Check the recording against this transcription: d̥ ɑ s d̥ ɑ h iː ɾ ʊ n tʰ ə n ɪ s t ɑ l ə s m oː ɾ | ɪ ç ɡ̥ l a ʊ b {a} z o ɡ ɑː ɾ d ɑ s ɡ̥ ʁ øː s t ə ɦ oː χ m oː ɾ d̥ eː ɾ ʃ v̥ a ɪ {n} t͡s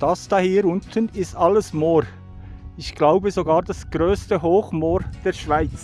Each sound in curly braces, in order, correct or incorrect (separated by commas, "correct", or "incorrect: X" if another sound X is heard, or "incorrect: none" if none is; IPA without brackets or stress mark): incorrect: ə, incorrect: none